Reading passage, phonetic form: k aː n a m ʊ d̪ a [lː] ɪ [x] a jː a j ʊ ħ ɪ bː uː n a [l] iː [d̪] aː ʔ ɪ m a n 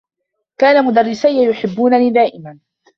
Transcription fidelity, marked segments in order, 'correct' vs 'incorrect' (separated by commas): incorrect, incorrect, correct, correct